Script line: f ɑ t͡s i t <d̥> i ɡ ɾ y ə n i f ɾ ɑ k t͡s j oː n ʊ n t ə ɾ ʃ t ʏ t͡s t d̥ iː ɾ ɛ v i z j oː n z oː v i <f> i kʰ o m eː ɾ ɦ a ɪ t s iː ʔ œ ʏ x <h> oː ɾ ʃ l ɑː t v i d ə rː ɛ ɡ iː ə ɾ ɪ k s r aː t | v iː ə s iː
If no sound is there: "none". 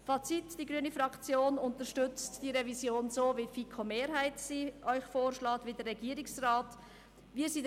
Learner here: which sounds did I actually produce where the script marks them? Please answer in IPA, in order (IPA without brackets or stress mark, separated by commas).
d̥, f, f